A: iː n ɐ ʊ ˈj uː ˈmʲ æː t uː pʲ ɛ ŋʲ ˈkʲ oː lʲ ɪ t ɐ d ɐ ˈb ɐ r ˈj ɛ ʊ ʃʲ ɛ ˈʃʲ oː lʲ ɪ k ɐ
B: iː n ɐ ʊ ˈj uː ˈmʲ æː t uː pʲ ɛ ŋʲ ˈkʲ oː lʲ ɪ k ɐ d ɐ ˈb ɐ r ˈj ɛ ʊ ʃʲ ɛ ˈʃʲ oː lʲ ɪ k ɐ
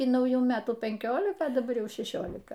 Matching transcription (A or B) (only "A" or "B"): B